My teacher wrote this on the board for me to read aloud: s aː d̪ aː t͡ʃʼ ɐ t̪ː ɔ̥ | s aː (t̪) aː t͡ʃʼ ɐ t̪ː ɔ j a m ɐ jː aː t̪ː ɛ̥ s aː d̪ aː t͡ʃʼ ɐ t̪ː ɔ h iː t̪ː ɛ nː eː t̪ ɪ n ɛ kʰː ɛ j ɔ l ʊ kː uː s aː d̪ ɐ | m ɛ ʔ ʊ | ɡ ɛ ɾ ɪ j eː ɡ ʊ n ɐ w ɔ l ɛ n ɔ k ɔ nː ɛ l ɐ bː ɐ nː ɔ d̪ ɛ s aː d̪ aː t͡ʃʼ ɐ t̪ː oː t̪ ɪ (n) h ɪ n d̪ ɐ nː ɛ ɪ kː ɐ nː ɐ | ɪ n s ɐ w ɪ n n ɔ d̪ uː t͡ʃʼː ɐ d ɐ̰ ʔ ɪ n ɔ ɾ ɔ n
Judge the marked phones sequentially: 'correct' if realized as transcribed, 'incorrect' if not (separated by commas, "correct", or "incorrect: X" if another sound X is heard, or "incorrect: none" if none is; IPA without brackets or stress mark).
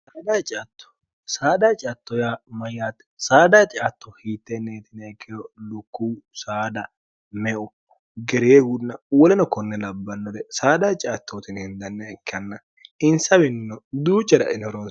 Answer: incorrect: d̪, correct